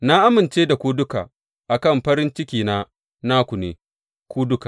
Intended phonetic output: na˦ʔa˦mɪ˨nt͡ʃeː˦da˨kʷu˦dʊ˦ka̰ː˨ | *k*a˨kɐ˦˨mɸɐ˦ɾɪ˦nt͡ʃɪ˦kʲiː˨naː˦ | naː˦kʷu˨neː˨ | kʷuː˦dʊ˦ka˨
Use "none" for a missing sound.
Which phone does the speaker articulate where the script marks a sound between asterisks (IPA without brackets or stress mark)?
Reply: ʔ